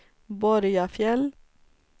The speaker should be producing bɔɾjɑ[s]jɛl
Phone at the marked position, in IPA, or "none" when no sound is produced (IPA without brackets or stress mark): f